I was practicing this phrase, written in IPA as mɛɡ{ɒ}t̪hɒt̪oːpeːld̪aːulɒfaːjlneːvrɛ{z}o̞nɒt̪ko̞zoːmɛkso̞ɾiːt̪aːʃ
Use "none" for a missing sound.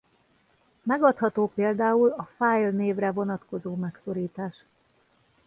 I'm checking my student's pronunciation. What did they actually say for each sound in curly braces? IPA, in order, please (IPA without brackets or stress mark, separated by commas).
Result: ɒ, v